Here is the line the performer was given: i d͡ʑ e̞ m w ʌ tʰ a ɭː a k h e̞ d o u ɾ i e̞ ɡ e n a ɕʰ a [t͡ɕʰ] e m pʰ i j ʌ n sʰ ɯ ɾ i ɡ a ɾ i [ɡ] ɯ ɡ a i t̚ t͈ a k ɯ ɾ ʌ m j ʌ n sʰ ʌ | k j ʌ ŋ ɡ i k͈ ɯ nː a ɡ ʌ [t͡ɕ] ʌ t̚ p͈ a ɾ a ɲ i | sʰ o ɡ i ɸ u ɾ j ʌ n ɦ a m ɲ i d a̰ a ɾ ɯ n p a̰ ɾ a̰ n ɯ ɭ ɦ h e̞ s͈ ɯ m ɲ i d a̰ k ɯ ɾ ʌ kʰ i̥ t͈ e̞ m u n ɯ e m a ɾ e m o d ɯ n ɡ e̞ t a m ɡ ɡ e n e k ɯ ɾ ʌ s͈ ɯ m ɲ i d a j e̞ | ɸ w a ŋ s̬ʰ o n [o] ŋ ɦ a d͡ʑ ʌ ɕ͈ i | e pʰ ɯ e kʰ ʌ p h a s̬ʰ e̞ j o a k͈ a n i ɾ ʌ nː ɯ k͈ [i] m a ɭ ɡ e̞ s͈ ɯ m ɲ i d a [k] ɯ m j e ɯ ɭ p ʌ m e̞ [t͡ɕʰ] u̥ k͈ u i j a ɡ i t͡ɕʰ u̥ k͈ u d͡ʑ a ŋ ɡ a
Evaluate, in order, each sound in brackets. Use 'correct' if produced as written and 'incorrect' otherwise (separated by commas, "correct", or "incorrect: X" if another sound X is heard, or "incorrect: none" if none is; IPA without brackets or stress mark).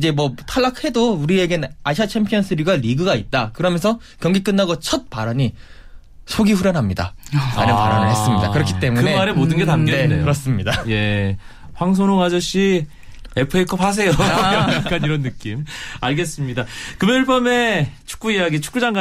correct, correct, incorrect: t͡ɕʰ, correct, correct, correct, correct